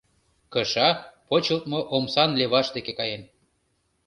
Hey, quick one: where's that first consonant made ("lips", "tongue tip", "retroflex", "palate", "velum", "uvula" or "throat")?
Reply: velum